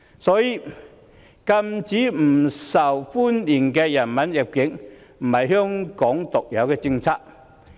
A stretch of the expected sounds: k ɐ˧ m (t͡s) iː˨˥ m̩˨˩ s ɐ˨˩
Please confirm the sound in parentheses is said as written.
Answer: yes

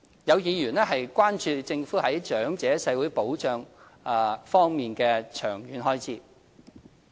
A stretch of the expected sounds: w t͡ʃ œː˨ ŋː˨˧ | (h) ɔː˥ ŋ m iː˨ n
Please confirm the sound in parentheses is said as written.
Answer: no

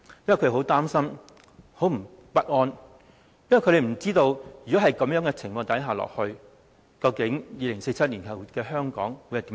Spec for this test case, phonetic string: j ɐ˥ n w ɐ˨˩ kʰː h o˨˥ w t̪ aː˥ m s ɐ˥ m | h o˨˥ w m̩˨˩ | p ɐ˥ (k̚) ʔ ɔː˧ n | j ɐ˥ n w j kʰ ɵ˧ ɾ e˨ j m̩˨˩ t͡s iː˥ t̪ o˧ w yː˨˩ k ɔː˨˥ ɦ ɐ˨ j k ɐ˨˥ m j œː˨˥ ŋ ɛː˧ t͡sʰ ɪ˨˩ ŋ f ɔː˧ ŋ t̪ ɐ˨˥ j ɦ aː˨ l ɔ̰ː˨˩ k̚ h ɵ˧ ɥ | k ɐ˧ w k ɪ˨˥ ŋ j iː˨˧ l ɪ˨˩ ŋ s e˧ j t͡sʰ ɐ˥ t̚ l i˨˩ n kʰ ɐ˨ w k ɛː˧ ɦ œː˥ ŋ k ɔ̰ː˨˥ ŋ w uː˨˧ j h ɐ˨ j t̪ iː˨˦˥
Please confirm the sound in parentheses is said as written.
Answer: no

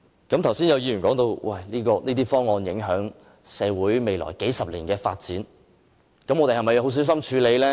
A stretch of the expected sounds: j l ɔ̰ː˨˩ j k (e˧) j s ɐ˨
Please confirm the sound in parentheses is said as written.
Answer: no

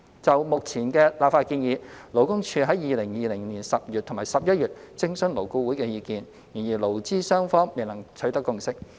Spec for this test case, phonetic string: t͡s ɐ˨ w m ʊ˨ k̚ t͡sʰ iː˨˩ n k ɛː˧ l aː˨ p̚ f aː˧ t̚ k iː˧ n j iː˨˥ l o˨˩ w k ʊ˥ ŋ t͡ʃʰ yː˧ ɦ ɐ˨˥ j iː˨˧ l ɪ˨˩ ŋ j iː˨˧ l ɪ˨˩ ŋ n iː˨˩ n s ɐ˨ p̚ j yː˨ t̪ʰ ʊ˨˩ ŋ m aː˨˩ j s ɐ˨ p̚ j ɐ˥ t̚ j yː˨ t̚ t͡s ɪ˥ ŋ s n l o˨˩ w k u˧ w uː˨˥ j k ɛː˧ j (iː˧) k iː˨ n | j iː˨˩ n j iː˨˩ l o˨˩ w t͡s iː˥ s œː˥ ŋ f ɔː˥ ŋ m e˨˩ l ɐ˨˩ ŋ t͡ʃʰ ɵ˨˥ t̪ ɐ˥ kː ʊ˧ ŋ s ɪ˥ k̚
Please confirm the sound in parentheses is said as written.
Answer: yes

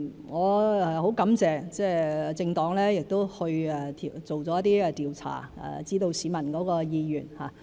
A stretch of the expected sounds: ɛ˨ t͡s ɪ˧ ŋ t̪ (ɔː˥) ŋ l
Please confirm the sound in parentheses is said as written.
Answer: no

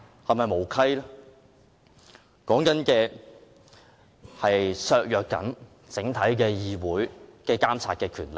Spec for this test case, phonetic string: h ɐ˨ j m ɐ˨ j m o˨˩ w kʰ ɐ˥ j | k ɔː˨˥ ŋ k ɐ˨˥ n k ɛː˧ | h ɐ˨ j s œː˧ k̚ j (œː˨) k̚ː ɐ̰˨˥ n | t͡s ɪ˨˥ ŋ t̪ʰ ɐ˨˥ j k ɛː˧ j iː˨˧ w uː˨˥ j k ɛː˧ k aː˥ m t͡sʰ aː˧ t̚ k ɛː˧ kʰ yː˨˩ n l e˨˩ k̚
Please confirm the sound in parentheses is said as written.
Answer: yes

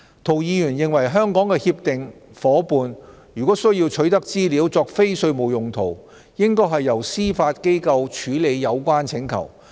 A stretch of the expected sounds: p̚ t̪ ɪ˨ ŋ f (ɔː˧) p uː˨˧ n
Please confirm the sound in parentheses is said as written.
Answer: no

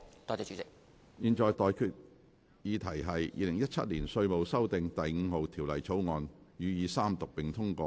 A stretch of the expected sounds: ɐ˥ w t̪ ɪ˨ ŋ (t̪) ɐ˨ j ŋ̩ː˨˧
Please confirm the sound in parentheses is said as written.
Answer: yes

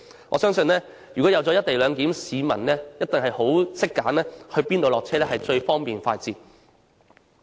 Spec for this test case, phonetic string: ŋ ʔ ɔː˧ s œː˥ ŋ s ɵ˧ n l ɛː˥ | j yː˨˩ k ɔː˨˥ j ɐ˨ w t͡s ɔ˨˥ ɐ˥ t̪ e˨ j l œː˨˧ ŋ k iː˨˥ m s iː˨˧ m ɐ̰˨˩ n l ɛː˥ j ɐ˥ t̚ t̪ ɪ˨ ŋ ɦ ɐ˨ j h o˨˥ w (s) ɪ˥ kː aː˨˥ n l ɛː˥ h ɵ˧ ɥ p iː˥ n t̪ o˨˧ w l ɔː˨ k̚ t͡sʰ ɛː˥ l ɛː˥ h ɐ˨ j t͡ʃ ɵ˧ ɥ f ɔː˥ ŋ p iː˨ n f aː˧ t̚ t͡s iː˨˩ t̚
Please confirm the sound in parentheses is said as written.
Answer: yes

